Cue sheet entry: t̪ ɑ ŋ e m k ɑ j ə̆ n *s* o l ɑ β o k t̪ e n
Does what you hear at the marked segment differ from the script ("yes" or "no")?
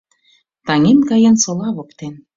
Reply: no